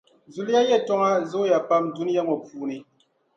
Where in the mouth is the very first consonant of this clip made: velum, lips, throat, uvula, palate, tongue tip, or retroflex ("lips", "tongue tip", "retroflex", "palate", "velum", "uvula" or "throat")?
tongue tip